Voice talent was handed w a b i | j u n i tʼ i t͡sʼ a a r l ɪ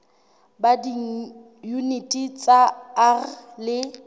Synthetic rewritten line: b a d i | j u n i tʼ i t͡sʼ a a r l ɪ